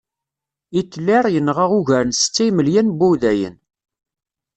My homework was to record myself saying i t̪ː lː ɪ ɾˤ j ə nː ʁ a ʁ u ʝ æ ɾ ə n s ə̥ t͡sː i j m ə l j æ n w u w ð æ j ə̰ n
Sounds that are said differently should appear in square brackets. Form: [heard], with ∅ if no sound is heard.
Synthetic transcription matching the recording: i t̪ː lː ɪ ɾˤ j ə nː ʁ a ʁ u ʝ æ ɾ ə n s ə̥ t͡sː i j m ə l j æ n [b] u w ð æ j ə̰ n